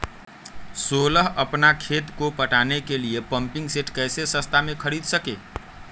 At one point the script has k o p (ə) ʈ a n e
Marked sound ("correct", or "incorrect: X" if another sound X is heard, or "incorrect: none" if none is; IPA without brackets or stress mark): correct